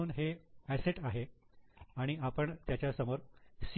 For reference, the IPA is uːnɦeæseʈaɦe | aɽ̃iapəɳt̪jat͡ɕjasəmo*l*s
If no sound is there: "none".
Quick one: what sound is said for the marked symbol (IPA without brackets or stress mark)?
ɾ